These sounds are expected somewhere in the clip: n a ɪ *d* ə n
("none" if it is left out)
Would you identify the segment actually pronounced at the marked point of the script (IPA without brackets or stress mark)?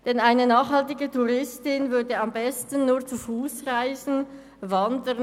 n